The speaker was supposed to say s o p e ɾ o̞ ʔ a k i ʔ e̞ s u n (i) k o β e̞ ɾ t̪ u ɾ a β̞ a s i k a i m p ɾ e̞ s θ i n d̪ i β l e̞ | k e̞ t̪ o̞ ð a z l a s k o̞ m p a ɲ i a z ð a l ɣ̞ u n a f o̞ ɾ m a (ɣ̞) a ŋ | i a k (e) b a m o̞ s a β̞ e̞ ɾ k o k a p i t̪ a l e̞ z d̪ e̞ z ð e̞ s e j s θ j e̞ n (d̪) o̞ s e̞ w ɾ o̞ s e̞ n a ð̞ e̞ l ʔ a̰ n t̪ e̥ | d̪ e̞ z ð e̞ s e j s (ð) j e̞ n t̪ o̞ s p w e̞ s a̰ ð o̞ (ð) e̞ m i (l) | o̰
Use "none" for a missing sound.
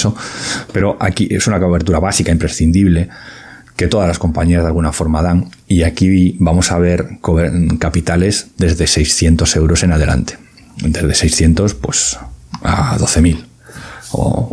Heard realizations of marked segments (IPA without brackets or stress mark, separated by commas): a, ð̞, i, t̪, θ, θ, l